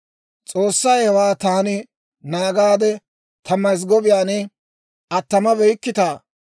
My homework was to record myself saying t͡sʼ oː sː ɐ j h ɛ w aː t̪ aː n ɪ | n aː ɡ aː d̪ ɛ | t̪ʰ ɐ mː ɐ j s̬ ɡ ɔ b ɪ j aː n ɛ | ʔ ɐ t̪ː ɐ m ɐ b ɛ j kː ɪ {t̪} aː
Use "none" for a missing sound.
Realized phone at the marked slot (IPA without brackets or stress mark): t̪